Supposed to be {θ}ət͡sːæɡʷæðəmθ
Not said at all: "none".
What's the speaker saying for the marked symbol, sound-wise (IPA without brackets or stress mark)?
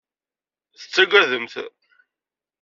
θ